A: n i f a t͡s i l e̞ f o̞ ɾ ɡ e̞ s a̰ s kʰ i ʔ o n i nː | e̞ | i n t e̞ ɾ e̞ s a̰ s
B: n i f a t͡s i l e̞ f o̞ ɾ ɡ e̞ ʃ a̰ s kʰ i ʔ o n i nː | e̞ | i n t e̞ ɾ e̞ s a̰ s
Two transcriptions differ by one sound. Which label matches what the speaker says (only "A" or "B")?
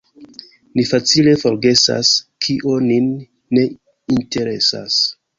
A